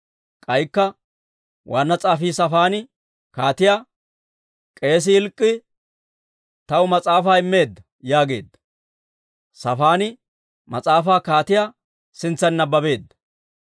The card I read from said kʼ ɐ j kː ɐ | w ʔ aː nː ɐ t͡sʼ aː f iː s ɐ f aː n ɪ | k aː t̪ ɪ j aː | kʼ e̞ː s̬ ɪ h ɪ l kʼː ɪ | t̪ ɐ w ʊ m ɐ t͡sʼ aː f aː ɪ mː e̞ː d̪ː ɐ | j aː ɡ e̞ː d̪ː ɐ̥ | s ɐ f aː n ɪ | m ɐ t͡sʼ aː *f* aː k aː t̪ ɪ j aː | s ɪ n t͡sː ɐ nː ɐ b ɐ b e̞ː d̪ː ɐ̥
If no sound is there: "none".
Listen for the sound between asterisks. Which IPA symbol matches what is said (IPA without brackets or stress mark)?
f